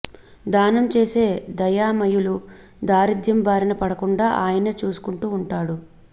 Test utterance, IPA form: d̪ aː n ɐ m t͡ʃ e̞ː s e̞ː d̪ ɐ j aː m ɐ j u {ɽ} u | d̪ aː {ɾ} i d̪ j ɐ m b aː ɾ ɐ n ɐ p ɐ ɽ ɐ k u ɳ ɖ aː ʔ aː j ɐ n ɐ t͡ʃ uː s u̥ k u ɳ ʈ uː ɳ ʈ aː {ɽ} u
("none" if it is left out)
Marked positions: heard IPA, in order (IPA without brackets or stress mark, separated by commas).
l, ɾ, ɽ